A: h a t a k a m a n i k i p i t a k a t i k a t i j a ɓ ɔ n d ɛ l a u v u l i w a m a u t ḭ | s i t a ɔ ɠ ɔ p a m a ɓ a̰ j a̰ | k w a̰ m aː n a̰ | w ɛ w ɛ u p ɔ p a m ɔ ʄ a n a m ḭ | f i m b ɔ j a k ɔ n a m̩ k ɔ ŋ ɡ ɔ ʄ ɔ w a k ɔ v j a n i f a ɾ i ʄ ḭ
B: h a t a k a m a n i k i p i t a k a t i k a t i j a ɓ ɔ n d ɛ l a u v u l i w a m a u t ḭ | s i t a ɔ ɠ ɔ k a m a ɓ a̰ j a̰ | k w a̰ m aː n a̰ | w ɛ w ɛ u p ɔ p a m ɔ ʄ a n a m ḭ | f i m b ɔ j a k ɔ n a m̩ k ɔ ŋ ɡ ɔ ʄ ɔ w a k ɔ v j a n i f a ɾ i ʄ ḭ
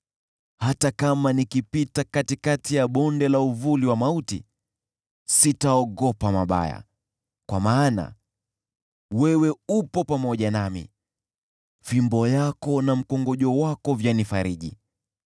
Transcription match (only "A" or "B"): A